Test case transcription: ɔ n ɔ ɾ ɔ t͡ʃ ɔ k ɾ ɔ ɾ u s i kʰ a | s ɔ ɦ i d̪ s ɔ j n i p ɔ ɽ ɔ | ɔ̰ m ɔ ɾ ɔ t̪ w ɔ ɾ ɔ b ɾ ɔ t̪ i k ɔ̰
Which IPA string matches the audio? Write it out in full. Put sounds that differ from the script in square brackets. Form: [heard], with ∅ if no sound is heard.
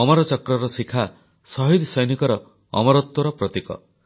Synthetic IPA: ɔ [m] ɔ ɾ ɔ t͡ʃ ɔ k ɾ ɔ ɾ [ɔ] s i kʰ a | s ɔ ɦ i d̪ s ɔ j n i [k] ɔ [ɾ] ɔ | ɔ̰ m ɔ ɾ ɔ t̪ w ɔ ɾ ɔ [p] ɾ ɔ t̪ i k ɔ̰